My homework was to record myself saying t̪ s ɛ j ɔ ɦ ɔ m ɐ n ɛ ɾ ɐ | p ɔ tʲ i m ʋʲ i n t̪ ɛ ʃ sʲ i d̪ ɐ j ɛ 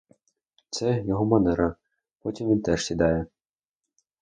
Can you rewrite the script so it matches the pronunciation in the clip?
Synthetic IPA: t̪ s ɛ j ɔ ɦ ɔ m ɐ n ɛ ɾ ɐ | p ɔ tʲ i m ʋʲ i n t̪ ɛ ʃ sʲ i d̪ ɑ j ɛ